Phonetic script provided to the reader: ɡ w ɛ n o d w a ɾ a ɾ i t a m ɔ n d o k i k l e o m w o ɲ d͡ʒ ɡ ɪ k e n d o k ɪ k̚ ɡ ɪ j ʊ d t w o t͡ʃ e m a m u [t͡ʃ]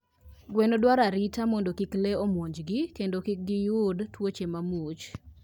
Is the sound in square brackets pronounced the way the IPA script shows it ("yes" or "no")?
yes